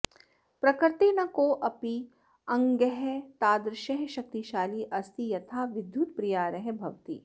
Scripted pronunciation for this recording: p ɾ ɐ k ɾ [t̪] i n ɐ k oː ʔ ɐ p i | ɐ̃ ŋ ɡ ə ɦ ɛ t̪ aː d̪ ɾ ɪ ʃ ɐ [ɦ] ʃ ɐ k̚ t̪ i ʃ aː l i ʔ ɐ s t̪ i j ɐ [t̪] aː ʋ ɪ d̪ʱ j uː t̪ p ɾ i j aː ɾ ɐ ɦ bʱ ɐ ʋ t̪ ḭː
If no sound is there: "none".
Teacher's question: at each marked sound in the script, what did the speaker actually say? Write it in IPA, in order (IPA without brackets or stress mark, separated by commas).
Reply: t̪, ɦ, t̪ʰ